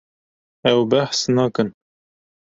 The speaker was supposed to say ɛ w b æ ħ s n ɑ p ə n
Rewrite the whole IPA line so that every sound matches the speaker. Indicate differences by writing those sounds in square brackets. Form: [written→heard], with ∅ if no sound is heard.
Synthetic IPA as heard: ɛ w b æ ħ s n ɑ [p→k] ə n